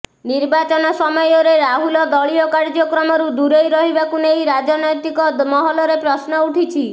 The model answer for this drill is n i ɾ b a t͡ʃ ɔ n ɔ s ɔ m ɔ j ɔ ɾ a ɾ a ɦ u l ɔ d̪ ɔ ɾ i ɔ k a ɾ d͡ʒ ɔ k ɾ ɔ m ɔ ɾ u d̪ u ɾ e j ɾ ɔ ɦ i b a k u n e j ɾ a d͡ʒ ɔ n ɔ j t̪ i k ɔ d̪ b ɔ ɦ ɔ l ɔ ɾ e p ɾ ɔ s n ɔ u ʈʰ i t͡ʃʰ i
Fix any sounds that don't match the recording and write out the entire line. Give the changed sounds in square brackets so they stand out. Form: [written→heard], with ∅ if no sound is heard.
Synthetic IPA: n i ɾ b a t͡ʃ ɔ n ɔ s ɔ m ɔ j ɔ ɾ [a→e] ɾ a ɦ u l ɔ d̪ ɔ [ɾ→ɭ] i ɔ k a ɾ d͡ʒ ɔ k ɾ ɔ m ɔ ɾ u d̪ u ɾ e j ɾ ɔ ɦ i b a k u n e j ɾ a d͡ʒ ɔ n ɔ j t̪ i k ɔ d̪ [b→m] ɔ ɦ ɔ l ɔ ɾ e p ɾ ɔ s n ɔ u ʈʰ i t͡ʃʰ i